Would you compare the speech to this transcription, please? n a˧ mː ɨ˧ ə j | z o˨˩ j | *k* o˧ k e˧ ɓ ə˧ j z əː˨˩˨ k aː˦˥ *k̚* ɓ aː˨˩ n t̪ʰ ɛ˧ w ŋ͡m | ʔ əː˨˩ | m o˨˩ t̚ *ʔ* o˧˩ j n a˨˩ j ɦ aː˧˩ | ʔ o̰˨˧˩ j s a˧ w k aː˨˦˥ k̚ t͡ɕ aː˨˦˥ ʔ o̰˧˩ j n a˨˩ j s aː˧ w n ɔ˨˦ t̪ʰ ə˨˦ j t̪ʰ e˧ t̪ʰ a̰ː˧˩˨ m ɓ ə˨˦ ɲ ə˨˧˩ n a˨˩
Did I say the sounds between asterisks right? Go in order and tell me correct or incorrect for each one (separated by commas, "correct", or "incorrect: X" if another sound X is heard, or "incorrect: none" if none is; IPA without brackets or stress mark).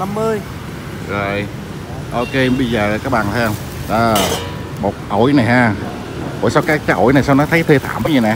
incorrect: ʔ, correct, correct